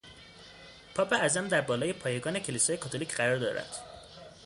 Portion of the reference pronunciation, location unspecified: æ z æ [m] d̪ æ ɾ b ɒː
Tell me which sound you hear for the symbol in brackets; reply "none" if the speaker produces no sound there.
m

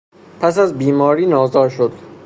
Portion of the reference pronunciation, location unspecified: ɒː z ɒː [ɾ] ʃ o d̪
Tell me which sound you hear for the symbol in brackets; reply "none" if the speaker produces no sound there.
ɾ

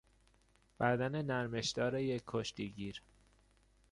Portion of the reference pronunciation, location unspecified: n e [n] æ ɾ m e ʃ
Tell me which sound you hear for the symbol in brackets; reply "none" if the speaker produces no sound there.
n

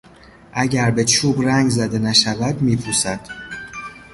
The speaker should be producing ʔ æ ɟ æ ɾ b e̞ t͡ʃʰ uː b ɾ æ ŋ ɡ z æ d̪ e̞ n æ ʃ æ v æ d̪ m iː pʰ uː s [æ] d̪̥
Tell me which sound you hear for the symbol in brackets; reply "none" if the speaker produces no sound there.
æ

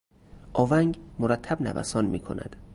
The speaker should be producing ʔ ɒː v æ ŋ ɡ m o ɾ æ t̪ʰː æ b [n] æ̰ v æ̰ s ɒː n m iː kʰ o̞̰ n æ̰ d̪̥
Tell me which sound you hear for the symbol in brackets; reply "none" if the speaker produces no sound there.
n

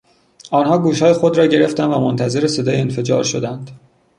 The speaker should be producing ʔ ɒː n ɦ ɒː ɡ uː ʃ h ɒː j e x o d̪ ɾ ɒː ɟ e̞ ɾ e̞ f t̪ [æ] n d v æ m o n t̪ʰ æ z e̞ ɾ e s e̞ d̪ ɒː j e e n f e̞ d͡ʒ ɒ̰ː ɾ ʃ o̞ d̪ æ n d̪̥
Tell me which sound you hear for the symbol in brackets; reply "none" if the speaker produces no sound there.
æ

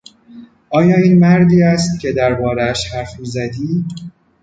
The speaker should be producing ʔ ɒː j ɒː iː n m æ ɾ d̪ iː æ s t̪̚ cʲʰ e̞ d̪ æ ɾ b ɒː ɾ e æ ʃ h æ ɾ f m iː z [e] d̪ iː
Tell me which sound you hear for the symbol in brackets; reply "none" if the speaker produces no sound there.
æ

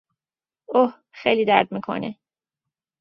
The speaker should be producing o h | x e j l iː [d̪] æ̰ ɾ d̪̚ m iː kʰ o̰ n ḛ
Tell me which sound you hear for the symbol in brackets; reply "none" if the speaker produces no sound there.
d̪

